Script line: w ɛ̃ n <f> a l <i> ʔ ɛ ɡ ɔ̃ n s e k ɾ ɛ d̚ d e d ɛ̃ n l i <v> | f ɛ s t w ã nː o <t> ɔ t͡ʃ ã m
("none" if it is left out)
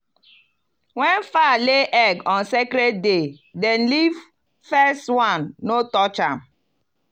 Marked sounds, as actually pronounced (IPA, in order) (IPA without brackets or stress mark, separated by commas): f, e, v, t